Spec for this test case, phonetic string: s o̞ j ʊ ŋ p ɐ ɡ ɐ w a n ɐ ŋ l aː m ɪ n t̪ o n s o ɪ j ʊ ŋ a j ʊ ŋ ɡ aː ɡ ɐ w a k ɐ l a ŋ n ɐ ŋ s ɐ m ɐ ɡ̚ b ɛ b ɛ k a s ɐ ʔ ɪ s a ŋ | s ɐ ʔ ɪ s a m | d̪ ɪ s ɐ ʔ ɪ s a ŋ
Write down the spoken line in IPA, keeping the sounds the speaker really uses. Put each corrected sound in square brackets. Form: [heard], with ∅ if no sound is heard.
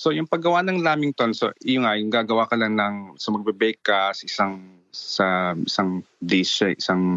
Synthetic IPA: s o̞ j ʊ ŋ p ɐ ɡ ɐ w a n ɐ ŋ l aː m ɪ [ŋ] t̪ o n s o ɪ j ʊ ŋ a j ʊ ŋ ɡ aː ɡ ɐ w a k ɐ l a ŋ n ɐ ŋ s ɐ m ɐ ɡ̚ b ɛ b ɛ k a s ɐ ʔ ɪ s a ŋ | s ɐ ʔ ɪ s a [ŋ] | d̪ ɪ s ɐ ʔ ɪ s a ŋ